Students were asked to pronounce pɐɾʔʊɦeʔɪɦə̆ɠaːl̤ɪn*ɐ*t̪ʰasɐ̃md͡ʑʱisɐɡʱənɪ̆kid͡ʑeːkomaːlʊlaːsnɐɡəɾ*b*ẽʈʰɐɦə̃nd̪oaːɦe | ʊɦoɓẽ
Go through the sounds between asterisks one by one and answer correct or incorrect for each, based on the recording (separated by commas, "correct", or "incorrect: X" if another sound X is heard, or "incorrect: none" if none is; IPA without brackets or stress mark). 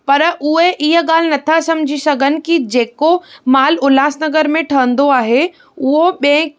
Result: correct, incorrect: m